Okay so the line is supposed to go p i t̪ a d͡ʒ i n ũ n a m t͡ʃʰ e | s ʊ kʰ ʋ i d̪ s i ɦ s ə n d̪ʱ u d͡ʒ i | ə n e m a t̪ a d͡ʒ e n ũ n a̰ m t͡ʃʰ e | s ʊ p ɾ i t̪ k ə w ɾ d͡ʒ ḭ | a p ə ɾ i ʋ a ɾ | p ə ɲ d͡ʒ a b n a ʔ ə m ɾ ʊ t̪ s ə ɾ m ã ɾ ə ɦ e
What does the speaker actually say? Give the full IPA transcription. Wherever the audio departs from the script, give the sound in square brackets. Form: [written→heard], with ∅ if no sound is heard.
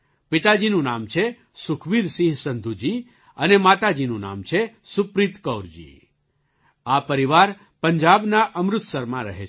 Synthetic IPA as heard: p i t̪ a d͡ʒ i n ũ n a m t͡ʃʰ e | s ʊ kʰ ʋ i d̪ s i ɦ s ə n d̪ʱ u d͡ʒ i | ə n e m a t̪ a d͡ʒ [e→i] n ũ n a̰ m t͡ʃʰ e | s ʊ p ɾ i t̪ k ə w ɾ d͡ʒ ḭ | a p ə ɾ i ʋ a ɾ | p ə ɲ d͡ʒ a b n a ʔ ə m ɾ ʊ t̪ s ə ɾ m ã ɾ ə ɦ e